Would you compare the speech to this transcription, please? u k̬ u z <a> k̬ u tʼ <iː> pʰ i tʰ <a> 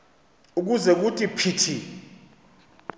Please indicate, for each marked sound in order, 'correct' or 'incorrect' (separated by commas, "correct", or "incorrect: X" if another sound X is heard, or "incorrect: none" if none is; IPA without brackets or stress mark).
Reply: incorrect: ɛ, incorrect: i, incorrect: i